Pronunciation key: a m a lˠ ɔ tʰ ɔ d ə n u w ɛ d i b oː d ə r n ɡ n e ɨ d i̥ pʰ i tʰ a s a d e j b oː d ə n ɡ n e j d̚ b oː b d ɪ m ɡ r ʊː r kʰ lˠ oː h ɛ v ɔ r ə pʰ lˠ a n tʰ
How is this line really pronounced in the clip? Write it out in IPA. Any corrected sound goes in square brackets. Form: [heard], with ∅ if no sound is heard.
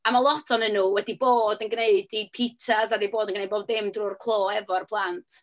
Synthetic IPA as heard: a m a lˠ ɔ tʰ ɔ [n] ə n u w ɛ d i b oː d ə [∅] n ɡ n e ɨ d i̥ pʰ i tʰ a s a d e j b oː d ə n ɡ n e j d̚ b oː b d ɪ m [d] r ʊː r kʰ lˠ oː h ɛ v ɔ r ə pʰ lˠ a n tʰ